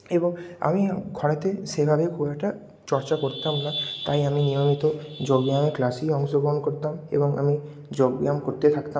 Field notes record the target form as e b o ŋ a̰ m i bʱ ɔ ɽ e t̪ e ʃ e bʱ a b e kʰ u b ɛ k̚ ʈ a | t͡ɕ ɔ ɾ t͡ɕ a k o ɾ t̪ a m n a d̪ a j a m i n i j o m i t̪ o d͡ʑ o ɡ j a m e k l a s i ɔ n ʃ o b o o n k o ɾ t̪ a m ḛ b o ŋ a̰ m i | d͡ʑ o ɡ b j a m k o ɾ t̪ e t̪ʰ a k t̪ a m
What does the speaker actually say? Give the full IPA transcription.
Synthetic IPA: e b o ŋ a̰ m i ɡʱ ɔ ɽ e t̪ e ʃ e bʱ a b e kʰ u b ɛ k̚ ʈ a | t͡ɕ ɔ ɾ t͡ɕ a k o ɾ t̪ a m n a t̪ a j a m i n i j o m i t̪ o d͡ʑ o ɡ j a m e k l a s i ɔ ŋ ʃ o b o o n k o ɾ t̪ a m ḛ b o ŋ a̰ m i | d͡ʑ o ɡ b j a m k o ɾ t̪ e t̪ʰ a k t̪ a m